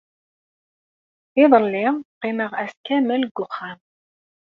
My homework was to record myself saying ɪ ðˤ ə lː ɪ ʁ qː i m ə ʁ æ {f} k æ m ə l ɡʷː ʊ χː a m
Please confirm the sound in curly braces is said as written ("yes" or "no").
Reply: no